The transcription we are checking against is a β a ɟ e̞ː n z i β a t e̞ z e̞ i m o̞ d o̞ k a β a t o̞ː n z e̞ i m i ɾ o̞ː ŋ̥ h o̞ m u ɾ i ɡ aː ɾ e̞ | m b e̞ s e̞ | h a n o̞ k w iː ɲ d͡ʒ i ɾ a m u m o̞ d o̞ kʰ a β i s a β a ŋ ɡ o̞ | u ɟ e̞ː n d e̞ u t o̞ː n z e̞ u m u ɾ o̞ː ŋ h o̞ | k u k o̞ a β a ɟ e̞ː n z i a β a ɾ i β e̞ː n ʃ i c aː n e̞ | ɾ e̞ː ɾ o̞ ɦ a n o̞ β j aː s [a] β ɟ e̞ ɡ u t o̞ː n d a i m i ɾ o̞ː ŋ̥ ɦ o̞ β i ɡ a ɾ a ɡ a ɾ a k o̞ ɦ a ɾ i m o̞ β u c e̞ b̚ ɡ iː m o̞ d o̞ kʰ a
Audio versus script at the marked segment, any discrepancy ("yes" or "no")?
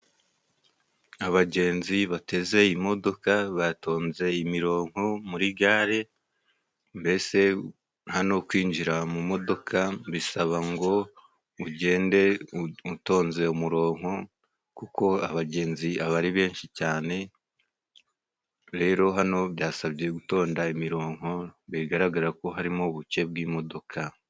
no